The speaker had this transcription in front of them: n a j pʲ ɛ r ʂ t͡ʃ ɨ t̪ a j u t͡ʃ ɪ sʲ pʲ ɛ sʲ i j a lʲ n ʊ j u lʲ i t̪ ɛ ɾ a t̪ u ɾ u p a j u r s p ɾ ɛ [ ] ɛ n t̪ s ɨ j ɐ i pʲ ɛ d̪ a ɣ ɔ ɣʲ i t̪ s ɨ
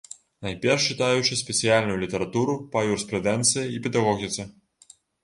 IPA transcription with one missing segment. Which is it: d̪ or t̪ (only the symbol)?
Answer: d̪